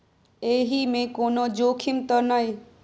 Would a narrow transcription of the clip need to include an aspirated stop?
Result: yes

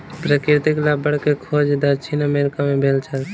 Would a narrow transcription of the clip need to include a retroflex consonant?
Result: yes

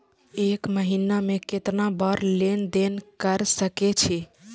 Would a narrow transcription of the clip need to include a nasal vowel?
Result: no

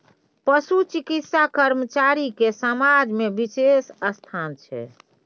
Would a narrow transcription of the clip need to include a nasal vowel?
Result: no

